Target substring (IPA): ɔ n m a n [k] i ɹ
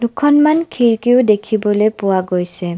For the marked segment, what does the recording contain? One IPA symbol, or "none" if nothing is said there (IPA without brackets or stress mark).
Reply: kʰ